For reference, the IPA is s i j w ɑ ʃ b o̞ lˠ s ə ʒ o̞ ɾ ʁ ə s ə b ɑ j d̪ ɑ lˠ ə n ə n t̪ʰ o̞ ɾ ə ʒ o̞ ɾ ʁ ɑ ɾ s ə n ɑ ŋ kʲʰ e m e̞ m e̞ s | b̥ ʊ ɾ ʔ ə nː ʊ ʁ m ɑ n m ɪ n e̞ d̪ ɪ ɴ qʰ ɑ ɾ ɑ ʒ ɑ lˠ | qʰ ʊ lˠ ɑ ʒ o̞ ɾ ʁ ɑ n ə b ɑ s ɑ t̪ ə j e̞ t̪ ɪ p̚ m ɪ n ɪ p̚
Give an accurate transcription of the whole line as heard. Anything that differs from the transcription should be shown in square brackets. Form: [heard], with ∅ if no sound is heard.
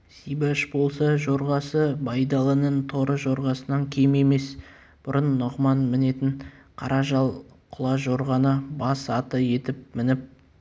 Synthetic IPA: s i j [b] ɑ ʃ b o̞ lˠ s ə ʒ o̞ ɾ ʁ [ɑ] s ə b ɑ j d̪ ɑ lˠ ə n ə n t̪ʰ o̞ ɾ ə ʒ o̞ ɾ ʁ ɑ [∅] s ə n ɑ ŋ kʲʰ e m e̞ m e̞ s | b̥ ʊ ɾ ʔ ə nː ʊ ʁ m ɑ n m ɪ n e̞ [t̪] ɪ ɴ qʰ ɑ ɾ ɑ ʒ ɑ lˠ | qʰ ʊ lˠ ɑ ʒ o̞ ɾ ʁ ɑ n ə b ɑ s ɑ t̪ ə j e̞ t̪ ɪ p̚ m ɪ n ɪ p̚

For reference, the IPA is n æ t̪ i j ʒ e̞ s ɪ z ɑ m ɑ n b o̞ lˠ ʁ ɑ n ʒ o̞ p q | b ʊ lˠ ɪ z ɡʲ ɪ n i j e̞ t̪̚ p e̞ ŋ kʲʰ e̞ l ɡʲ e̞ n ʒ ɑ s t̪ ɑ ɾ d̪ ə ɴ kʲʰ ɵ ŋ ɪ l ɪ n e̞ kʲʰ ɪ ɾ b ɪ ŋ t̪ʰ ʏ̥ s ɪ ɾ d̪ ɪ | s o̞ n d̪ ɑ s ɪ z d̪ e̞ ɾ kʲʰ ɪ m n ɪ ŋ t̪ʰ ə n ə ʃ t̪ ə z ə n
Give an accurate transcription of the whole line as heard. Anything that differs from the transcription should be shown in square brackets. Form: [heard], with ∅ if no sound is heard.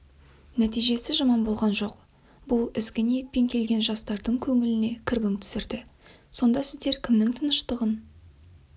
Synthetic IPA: n æ t̪ i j ʒ e̞ s ɪ [ʒ] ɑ m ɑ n b o̞ lˠ ʁ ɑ n ʒ o̞ [∅] q | b ʊ lˠ ɪ z ɡʲ ɪ n i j e̞ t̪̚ p e̞ ŋ kʲʰ e̞ l ɡʲ e̞ n ʒ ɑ s t̪ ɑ ɾ d̪ ə ɴ kʲʰ ɵ ŋ ɪ l ɪ n e̞ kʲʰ ɪ ɾ b ɪ ŋ t̪ʰ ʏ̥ s ɪ ɾ d̪ ɪ | s o̞ n d̪ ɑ s ɪ z d̪ e̞ ɾ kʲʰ ɪ m n ɪ ŋ t̪ʰ ə n ə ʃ t̪ ə [ʁ] ə n

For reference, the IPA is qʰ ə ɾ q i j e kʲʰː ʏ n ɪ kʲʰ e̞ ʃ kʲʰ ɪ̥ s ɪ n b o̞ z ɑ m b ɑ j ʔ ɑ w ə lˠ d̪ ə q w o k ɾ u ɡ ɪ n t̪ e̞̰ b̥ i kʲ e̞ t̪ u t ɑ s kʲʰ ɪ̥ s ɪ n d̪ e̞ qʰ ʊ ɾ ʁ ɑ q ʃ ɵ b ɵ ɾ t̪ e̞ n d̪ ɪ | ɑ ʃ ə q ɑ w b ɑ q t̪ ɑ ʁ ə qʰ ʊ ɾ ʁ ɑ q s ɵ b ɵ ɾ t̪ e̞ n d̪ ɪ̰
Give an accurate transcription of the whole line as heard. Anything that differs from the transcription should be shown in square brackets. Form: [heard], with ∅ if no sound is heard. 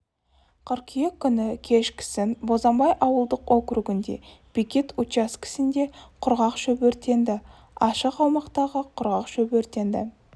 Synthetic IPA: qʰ ə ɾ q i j e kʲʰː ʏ n ɪ kʲʰ e̞ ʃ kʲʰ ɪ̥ s ɪ n b o̞ z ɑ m b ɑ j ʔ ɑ w ə lˠ d̪ ə q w o k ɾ u ɡ ɪ n [d̪] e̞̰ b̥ i kʲ e̞ t̪ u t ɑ s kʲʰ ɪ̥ s ɪ n d̪ e̞ qʰ ʊ ɾ ʁ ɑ q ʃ ɵ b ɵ ɾ t̪ e̞ n d̪ ɪ | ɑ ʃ ə q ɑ w [m] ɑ q t̪ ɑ ʁ ə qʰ ʊ ɾ ʁ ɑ q [ʃ] ɵ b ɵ ɾ t̪ e̞ n d̪ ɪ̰

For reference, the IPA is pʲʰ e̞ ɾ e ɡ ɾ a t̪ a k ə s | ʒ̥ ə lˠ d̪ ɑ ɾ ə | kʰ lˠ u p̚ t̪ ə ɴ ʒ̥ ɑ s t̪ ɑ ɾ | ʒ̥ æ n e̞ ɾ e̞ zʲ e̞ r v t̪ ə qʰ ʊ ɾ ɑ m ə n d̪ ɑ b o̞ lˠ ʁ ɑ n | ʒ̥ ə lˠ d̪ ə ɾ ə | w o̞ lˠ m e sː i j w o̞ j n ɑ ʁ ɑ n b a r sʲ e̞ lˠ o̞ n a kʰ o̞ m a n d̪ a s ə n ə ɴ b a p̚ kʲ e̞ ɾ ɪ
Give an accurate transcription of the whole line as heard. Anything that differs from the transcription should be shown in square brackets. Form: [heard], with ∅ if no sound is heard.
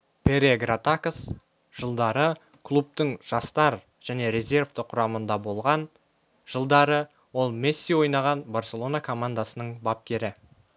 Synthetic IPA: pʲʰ e̞ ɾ e ɡ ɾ a t̪ a k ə s | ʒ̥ ə lˠ d̪ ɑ ɾ ə | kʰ lˠ u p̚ t̪ ə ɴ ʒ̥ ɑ s t̪ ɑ ɾ | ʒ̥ æ n e̞ ɾ e̞ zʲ e̞ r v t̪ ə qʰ ʊ ɾ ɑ m ə n d̪ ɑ b o̞ lˠ ʁ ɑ n | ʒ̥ ə lˠ d̪ [ɑ] ɾ ə | w o̞ lˠ m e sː i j w o̞ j n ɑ ʁ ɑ n b a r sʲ e̞ lˠ o̞ n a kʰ o̞ m a n d̪ a s ə n ə ɴ b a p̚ kʲ e̞ ɾ ɪ

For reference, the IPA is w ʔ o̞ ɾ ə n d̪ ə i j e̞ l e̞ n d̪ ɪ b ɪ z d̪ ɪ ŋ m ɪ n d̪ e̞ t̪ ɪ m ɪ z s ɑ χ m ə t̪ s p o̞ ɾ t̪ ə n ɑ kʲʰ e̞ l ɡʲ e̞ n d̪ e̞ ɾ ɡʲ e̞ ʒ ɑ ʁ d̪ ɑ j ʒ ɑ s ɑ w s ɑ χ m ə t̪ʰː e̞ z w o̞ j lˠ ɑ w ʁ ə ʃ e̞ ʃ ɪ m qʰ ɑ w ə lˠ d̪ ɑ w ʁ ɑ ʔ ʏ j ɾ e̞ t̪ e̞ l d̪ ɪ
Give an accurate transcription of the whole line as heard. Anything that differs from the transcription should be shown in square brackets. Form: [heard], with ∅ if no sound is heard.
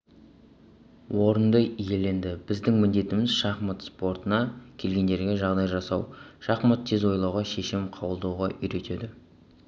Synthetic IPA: w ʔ o̞ ɾ ə n d̪ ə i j e̞ l e̞ n d̪ ɪ b ɪ z d̪ ɪ ŋ m ɪ n d̪ e̞ t̪ ɪ m ɪ z [ʃ] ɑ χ m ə t̪ s p o̞ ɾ t̪ ə n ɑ kʲʰ e̞ l ɡʲ e̞ n d̪ e̞ ɾ ɡʲ e̞ ʒ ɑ ʁ d̪ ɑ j ʒ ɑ s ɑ w [ʃ] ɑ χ m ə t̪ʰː e̞ z w o̞ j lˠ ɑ w ʁ [ɑ] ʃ e̞ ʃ ɪ m qʰ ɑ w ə lˠ d̪ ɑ w ʁ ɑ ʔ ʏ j ɾ e̞ t̪ e̞ [∅] d̪ ɪ

